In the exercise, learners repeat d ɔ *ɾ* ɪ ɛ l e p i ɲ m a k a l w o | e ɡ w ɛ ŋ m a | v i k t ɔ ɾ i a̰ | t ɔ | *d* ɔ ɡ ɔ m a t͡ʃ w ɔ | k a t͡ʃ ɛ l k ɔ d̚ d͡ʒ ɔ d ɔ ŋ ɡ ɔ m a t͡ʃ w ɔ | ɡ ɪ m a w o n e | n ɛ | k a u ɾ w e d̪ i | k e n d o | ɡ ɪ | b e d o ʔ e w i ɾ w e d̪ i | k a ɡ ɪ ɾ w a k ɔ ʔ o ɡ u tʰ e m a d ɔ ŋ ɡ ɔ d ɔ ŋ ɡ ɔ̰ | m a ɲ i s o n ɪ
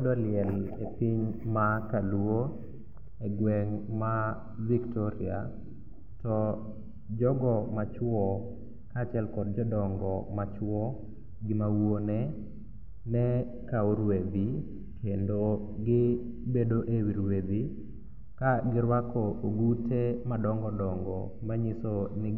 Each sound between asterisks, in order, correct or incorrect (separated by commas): incorrect, incorrect